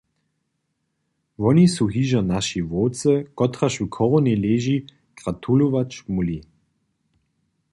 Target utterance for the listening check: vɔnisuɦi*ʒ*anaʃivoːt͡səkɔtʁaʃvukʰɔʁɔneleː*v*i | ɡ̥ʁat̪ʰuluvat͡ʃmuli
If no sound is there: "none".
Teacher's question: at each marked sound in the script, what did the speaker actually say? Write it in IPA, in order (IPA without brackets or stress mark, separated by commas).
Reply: ʒ, ʒ